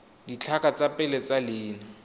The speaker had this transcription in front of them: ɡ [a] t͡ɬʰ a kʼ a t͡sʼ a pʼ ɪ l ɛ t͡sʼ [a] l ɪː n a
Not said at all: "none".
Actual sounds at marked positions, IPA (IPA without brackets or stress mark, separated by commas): i, a